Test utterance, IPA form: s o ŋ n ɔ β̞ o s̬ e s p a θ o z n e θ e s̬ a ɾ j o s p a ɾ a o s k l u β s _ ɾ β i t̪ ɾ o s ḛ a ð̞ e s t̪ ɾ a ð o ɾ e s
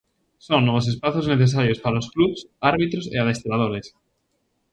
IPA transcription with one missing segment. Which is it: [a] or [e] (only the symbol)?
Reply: a